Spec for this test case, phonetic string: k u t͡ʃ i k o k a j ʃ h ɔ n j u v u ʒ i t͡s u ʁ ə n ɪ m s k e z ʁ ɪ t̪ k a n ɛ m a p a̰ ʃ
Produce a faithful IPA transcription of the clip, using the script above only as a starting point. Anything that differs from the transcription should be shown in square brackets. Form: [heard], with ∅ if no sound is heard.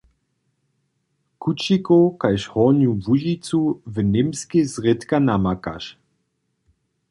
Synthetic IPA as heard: k u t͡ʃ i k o k a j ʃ h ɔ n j u v u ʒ i t͡s u [v] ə n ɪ m s k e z ʁ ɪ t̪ k a n [a] m a [k] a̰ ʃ